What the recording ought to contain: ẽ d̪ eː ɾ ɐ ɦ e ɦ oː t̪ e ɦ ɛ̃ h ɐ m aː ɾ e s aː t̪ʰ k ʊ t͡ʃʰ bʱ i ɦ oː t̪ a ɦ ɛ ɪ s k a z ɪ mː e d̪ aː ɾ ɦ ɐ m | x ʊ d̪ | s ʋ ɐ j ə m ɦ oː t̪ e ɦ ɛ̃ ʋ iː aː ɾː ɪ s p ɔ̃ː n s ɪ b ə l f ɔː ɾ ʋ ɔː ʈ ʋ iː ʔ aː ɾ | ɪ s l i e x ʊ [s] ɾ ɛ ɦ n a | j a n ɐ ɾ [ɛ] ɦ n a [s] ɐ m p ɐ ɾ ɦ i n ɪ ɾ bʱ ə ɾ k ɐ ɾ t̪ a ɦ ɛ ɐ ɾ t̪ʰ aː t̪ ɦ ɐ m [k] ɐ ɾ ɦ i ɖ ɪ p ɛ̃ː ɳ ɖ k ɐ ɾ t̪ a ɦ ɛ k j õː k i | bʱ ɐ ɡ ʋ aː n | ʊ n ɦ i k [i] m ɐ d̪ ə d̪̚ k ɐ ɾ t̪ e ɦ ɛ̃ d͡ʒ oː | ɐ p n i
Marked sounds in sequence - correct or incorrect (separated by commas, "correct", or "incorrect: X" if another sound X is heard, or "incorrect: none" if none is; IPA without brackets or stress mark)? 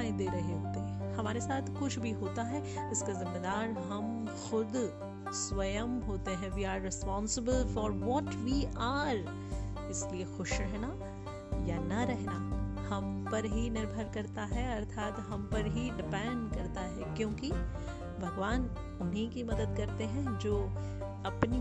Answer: incorrect: ʃ, correct, incorrect: h, incorrect: p, correct